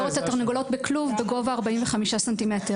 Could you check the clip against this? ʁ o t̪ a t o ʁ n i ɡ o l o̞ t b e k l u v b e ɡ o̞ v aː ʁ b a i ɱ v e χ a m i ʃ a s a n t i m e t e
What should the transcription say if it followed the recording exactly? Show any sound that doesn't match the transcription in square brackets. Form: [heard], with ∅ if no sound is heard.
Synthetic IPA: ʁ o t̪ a t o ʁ n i ɡ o l o̞ t b e k l u v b e ɡ o̞ v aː ʁ b a i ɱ v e χ a m i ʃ a s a n t i m e t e